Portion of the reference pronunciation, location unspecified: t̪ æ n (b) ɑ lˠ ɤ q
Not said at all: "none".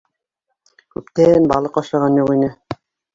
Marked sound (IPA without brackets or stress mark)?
b